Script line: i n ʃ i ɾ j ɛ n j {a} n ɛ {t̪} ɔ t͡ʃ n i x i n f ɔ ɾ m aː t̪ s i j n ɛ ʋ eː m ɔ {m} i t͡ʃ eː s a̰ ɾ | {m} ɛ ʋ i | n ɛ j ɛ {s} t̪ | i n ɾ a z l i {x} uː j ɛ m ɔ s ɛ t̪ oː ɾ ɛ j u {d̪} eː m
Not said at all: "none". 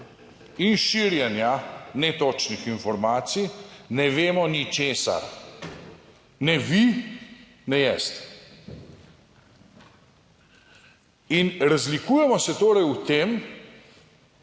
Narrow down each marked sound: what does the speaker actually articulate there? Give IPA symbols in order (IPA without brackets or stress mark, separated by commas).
a, t̪, n, n, s, k, t̪